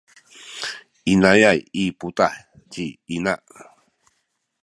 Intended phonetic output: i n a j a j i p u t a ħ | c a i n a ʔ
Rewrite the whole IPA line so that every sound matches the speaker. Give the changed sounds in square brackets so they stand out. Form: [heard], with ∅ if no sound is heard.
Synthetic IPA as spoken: i n a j a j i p u t a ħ | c [i] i n a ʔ

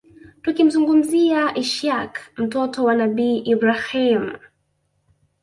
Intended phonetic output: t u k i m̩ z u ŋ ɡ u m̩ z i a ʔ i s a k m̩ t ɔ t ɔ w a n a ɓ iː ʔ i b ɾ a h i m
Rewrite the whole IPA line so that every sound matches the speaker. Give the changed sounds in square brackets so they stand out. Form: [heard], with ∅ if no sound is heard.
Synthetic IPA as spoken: t u k i m̩ z u ŋ ɡ u m̩ z i a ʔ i [ʃ] a k m̩ t ɔ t ɔ w a n a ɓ iː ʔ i b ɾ a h i m

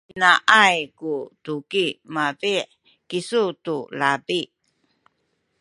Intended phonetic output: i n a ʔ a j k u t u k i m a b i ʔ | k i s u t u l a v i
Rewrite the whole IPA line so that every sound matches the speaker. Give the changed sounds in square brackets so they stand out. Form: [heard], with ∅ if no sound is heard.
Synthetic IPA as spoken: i n a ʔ a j k u t u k i m a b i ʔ | k i s u t u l a [b] i

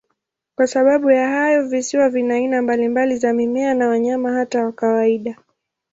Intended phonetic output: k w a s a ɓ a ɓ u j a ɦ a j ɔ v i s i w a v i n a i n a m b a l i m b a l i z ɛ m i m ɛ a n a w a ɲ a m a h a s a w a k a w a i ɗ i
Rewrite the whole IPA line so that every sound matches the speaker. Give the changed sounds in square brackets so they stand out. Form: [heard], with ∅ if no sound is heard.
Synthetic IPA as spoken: k w a s a ɓ a ɓ u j a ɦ a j ɔ v i s i w a v i n a i n a m b a l i m b a l i z [a] m i m ɛ a n a w a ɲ a m a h a [t] a w a k a w a i ɗ [a]

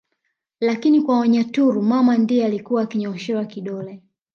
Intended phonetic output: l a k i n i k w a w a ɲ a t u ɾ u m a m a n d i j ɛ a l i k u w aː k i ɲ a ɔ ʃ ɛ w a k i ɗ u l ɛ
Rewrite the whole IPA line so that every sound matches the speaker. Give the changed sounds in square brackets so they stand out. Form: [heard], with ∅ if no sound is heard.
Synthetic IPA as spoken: l a k i n i k w a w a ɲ a t u ɾ u m a m a n d i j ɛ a l i k u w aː k i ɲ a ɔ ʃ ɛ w a k i ɗ [ɔ] l ɛ

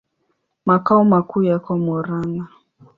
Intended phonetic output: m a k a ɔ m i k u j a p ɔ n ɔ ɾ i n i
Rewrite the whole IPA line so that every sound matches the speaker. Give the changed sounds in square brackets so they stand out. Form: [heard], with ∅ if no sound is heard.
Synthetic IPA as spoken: m a k a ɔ m [a] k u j a [k] ɔ [m] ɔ ɾ [a] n [a]

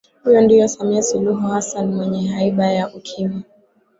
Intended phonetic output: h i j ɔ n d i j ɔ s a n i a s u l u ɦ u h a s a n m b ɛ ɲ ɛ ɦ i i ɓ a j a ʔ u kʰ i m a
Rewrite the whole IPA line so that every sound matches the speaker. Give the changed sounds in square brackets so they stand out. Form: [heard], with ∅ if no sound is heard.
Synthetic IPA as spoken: h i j ɔ n d i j ɔ s a [m] i a s u l u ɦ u h a s a n m [w] ɛ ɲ ɛ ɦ [a] i ɓ a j a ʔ u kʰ i m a

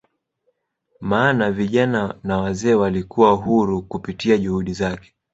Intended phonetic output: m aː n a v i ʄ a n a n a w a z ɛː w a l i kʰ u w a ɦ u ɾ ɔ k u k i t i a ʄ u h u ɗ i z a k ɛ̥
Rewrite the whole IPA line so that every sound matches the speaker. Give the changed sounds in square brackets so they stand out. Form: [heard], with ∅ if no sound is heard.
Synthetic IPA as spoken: m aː n a v i ʄ a n a n a w a z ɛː w a l i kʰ u w a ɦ u ɾ [u] k u [p] i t i a ʄ u h u ɗ i z a k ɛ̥

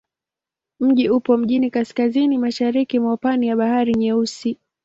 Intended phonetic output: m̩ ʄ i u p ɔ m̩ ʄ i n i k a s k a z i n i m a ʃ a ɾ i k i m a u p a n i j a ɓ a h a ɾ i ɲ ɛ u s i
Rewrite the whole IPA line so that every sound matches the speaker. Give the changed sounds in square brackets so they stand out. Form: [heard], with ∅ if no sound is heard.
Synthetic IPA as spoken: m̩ ʄ i u p ɔ m̩ ʄ i n i k a s k a z i n i m a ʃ a ɾ i k i m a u p a n i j a ɓ a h a ɾ i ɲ ɛ u s i

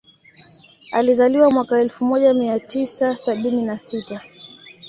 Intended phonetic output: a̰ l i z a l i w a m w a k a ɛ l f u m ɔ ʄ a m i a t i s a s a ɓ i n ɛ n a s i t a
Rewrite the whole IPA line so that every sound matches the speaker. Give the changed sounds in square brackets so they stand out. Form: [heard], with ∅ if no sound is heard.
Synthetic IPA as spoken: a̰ l i z a l i w a m w a k a ɛ l f u m ɔ ʄ a m i a t i s a s a ɓ i n [i] n a s i t a

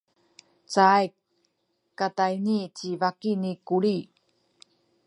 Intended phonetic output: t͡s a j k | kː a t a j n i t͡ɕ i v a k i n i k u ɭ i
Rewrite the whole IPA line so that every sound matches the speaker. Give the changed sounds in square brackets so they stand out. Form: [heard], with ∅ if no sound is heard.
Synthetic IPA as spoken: t͡s a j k | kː a t a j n i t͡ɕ i v a k i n i k u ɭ i

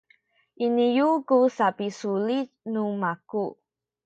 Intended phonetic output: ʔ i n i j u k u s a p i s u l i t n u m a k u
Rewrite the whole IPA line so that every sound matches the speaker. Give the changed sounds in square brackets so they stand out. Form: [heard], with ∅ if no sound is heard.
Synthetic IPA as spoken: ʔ i n i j u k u s a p i s u l i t n u m a k u

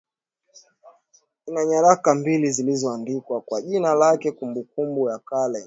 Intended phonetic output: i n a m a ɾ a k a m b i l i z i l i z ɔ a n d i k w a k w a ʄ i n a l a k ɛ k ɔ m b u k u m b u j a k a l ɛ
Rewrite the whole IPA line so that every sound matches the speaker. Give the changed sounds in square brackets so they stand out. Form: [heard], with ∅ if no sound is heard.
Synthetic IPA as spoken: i n a [ɲ] a ɾ a k a m b i l i z i l i z ɔ a n d i k w a k w a ʄ i n a l a k ɛ k [u] m b u k u m b u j a k a l ɛ

